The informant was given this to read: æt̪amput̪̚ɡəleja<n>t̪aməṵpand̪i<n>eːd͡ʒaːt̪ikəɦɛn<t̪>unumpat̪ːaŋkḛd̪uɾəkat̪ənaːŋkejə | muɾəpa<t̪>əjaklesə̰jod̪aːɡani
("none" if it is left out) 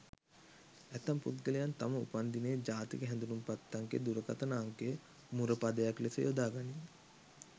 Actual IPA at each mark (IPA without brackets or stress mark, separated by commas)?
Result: n, n, d̪, d̪